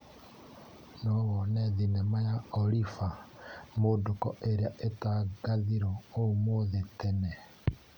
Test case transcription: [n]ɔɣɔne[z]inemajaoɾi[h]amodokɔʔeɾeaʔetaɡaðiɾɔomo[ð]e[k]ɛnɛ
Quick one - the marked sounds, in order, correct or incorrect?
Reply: correct, incorrect: ð, incorrect: f, correct, incorrect: t

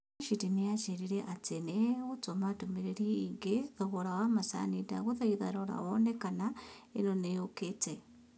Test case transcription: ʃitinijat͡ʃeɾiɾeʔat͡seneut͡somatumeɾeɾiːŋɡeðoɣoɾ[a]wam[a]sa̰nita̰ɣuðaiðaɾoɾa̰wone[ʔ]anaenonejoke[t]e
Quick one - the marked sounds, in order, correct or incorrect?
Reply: correct, correct, incorrect: k, incorrect: t͡s

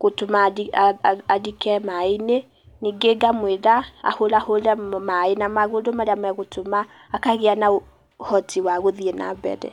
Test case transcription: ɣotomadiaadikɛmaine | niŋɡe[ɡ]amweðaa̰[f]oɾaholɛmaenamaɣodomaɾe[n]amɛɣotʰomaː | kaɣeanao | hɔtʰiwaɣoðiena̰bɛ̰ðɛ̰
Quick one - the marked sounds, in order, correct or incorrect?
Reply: correct, incorrect: h, incorrect: none

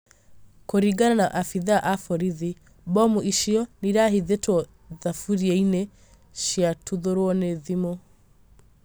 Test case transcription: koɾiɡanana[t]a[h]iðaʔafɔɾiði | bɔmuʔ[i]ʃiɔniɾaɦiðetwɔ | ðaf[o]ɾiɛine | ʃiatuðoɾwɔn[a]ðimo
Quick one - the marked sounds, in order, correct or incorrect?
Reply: incorrect: ʔ, incorrect: f, correct, incorrect: u, incorrect: e

